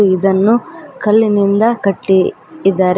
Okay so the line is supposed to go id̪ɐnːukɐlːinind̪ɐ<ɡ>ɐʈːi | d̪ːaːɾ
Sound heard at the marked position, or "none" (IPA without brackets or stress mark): k